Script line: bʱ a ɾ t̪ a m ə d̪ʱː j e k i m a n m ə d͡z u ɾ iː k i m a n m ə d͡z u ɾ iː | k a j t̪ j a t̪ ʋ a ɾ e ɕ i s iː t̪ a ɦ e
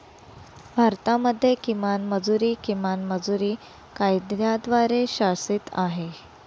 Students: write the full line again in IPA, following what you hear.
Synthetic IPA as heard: bʱ a ɾ t̪ a m ə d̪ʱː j e k i m a n m ə d͡z u ɾ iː k i m a n m ə d͡z u ɾ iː | k a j d̪ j a d̪ ʋ a ɾ e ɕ a s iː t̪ a ɦ e